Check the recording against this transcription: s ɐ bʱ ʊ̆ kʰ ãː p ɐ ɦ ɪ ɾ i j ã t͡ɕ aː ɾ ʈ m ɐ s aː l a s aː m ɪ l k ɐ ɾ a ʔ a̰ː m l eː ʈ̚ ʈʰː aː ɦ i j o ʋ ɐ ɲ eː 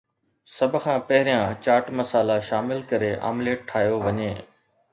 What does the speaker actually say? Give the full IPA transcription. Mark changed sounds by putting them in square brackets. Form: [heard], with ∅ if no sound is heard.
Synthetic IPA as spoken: s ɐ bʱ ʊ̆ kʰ ãː p ɐ ɦ ɪ ɾ i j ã t͡ɕ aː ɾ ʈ m ɐ s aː l a [ʃ] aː m ɪ l k ɐ ɾ [e] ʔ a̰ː m l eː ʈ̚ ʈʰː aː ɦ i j o ʋ ɐ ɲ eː

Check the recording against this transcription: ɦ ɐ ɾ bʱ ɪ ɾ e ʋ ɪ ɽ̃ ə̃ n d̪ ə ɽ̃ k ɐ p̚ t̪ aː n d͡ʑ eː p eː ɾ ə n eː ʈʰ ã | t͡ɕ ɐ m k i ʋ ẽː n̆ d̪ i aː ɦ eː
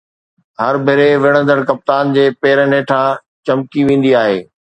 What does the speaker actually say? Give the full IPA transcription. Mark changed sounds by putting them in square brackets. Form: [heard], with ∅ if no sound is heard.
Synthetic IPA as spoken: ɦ ɐ ɾ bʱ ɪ ɾ e ʋ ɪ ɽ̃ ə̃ n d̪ ə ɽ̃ k ɐ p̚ t̪ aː n d͡ʑ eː p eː ɾ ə n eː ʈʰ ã | t͡ɕ ɐ m k i ʋ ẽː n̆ d̪ i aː ɦ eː

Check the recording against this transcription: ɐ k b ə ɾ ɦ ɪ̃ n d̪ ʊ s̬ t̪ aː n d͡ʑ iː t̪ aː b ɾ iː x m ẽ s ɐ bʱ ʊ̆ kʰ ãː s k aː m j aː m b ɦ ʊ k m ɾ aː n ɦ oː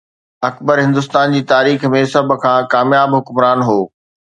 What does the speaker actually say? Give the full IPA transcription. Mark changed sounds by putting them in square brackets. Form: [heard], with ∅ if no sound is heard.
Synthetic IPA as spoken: ɐ k b ə ɾ ɦ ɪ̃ n d̪ ʊ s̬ t̪ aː n d͡ʑ iː t̪ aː [∅] ɾ iː x m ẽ s ɐ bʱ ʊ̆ kʰ ãː [∅] k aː m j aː [∅] b ɦ ʊ k m ɾ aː n ɦ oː

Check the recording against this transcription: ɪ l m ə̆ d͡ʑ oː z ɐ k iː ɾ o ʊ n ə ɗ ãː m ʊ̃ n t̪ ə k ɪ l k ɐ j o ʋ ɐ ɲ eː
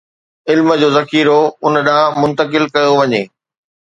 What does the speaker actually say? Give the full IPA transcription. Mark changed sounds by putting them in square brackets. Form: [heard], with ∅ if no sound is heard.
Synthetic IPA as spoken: ɪ l m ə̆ d͡ʑ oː z ɐ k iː ɾ o ʊ n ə ɗ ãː m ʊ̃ n t̪ ə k ɪ l k ɐ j o ʋ ɐ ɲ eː

